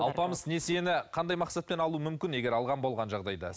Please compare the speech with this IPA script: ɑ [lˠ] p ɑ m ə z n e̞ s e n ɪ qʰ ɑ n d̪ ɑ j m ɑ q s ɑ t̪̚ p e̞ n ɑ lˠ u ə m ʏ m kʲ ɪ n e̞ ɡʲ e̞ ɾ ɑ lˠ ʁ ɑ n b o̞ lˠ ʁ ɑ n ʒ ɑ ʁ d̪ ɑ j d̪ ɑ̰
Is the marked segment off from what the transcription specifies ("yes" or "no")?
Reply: no